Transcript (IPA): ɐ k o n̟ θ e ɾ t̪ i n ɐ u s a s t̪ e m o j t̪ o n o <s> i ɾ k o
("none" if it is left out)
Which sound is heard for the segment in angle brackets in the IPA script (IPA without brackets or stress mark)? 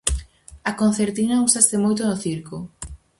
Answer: θ